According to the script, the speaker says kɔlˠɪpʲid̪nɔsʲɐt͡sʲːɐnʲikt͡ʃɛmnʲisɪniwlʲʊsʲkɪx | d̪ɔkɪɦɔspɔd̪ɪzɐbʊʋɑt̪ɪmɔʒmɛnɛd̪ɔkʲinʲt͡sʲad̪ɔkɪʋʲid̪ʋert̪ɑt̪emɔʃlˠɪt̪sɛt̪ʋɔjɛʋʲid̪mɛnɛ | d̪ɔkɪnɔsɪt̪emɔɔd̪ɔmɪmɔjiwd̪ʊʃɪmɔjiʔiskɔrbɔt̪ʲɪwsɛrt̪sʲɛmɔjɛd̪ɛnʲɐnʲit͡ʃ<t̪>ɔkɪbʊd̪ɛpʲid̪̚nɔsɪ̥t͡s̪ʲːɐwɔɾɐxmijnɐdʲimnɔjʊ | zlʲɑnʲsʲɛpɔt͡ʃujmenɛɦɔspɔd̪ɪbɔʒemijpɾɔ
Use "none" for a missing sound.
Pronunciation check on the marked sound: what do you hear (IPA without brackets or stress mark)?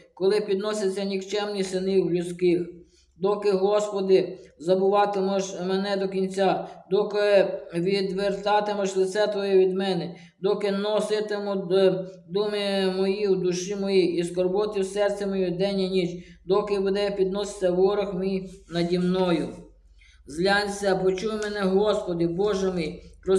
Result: d̪